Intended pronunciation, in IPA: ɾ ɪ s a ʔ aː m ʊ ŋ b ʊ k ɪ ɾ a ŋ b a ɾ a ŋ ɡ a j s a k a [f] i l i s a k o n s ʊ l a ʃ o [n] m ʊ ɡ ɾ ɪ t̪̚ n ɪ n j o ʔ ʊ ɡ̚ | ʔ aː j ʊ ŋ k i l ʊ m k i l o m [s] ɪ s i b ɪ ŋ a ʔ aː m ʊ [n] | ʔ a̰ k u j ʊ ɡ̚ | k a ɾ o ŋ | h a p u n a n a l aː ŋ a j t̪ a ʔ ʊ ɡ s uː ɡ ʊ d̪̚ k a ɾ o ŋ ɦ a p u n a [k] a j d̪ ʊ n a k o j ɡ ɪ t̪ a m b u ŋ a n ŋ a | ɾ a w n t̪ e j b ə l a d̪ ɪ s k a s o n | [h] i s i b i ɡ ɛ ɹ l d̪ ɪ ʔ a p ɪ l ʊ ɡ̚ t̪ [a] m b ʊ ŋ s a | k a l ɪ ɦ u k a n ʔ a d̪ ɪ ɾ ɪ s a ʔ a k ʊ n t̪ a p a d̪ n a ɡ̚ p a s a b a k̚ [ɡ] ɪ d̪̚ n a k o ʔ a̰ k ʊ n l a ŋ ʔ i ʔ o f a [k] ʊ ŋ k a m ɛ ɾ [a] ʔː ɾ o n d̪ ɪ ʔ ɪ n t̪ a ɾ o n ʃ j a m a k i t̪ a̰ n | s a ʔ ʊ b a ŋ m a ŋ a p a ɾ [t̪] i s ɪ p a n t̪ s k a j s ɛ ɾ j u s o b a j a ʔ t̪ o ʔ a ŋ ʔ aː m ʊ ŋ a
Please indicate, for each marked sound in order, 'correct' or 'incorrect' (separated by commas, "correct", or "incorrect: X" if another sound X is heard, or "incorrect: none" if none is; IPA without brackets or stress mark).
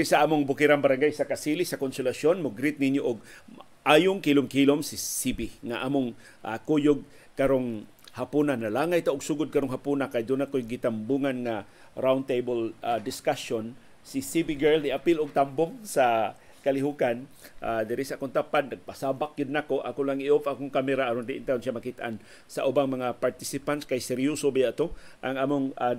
incorrect: s, correct, correct, incorrect: ŋ, correct, incorrect: s, correct, correct, correct, correct, correct